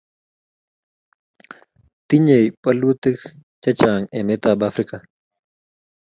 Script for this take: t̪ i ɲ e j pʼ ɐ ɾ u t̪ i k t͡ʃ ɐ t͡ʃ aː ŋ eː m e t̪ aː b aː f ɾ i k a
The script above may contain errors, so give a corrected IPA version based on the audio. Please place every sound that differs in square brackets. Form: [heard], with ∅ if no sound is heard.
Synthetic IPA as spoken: t̪ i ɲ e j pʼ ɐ [l] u t̪ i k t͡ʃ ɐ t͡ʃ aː ŋ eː m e t̪ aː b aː f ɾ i k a